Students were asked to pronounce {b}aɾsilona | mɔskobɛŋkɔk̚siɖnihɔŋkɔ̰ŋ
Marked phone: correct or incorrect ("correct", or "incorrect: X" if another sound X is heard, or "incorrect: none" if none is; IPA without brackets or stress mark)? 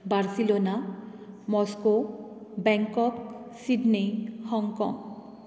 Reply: correct